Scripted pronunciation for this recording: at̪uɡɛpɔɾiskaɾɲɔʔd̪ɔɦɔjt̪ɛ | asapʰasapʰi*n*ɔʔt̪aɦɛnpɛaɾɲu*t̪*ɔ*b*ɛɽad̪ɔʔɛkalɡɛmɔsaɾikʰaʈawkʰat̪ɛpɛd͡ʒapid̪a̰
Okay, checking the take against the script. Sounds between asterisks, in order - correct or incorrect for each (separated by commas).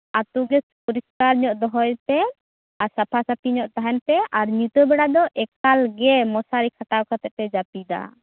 incorrect, correct, correct